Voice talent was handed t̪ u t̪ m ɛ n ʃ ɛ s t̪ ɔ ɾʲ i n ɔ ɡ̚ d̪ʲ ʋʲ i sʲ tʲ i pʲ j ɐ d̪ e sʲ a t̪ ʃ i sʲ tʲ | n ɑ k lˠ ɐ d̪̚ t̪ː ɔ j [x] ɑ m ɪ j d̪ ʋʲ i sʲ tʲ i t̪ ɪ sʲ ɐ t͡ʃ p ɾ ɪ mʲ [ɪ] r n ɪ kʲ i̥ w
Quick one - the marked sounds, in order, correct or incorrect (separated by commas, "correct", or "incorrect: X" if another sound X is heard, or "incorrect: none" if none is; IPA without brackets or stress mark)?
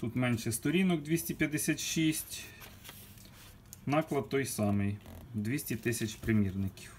incorrect: s, incorrect: i